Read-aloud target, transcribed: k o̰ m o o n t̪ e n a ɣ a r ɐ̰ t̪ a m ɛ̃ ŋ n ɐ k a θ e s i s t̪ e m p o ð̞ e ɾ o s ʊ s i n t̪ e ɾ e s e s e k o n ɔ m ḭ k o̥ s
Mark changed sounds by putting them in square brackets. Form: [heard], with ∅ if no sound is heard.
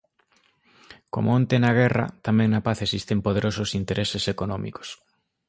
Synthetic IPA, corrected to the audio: k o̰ m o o n t̪ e n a ɣ [ɛ] r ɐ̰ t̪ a m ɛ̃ ŋ n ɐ [p] a θ e s i s t̪ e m p o ð̞ e ɾ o s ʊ s i n t̪ e ɾ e s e s e k o n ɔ m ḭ k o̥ s